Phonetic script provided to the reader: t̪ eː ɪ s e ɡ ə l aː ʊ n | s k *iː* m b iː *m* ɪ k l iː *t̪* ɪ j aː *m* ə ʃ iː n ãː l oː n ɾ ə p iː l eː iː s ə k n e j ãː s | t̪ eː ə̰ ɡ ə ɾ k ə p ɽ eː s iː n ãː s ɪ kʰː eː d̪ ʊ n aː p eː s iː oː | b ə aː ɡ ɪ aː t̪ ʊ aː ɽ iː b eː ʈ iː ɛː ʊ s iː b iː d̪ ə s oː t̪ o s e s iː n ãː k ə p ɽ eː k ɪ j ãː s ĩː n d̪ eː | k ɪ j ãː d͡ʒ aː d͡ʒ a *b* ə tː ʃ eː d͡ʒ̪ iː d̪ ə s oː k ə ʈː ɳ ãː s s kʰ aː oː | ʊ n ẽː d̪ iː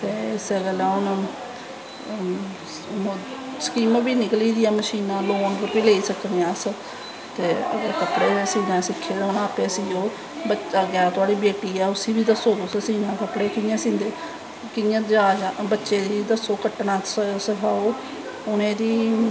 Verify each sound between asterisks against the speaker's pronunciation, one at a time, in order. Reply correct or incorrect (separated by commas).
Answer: correct, incorrect, incorrect, correct, correct